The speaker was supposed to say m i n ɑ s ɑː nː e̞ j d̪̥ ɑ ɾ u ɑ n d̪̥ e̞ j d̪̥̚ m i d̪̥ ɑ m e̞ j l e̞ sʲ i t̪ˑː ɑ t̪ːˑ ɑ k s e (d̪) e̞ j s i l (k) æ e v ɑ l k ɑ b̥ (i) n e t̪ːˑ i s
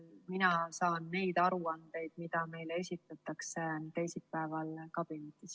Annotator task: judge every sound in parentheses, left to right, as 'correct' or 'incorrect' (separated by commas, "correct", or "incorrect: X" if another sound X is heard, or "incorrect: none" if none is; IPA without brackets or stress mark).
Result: incorrect: t̪, incorrect: p, correct